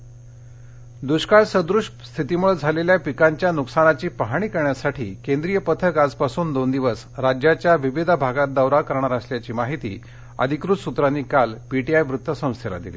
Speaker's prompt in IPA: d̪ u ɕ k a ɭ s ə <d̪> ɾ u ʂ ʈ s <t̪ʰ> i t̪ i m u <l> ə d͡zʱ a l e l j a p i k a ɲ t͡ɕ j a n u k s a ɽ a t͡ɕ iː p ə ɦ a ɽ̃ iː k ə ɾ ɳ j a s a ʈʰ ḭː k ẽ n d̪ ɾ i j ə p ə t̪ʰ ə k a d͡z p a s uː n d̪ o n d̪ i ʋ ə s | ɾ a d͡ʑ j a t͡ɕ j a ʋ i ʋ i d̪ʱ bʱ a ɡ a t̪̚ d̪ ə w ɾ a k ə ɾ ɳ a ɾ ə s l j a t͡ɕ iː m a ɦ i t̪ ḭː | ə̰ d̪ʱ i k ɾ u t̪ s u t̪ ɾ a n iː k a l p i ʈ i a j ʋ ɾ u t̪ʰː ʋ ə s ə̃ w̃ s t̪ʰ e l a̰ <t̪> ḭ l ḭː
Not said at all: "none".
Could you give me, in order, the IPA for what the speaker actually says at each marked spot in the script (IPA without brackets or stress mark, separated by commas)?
d̪, t̪ʰ, ɭ, d̪